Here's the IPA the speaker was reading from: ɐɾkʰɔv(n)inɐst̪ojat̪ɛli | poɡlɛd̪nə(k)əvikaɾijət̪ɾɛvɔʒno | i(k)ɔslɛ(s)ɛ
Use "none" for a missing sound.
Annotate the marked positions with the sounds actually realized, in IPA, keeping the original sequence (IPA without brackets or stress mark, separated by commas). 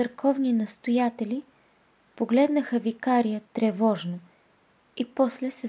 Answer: n, x, p, s